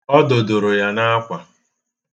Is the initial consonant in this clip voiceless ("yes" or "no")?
no